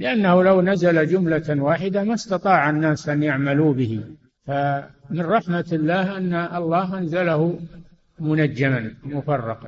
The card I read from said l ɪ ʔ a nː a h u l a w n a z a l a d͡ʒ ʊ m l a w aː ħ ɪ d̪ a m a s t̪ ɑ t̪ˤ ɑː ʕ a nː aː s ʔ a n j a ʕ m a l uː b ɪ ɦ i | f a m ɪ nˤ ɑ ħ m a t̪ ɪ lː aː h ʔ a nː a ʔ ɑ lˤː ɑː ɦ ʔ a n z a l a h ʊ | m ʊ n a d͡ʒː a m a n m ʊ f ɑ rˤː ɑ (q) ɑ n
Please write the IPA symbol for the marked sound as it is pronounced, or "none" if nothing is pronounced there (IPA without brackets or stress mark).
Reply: q